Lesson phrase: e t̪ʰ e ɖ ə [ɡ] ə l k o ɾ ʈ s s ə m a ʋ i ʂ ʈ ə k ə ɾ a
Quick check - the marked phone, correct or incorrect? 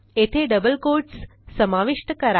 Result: incorrect